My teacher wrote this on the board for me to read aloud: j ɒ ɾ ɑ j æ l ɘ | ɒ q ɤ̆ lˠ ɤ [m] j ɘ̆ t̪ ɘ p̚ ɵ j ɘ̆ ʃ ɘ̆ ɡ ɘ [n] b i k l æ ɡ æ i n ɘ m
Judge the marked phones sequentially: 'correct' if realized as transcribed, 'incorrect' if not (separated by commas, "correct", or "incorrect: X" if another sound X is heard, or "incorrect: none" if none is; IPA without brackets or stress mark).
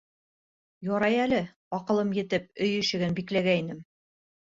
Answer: correct, correct